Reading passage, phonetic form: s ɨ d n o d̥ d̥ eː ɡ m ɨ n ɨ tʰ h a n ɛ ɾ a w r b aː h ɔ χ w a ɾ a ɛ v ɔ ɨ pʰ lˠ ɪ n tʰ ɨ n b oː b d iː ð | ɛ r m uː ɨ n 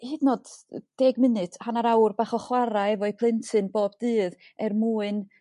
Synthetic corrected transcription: h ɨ d n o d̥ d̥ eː ɡ m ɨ n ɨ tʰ h a n a ɾ a w r b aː χ ɔ χ w a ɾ a ɛ v ɔ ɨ pʰ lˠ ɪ n tʰ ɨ n b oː b d ɨː ð | ɛ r m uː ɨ n